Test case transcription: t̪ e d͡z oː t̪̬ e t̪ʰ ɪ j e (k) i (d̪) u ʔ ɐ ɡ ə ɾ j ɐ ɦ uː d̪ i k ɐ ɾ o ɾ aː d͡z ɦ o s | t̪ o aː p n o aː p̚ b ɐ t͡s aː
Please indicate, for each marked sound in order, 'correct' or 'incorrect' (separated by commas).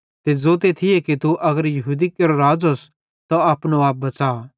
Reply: correct, incorrect